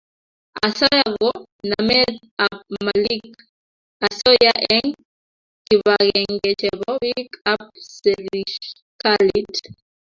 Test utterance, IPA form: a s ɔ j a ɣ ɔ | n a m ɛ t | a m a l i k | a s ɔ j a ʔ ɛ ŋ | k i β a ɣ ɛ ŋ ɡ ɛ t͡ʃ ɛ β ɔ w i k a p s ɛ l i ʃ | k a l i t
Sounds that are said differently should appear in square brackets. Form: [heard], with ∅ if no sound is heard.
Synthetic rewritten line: a s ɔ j a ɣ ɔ | n a m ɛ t | a m a l i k | a s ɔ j a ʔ ɛ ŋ | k i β a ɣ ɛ ŋ ɡ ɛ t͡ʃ ɛ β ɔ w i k a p s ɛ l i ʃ | k a l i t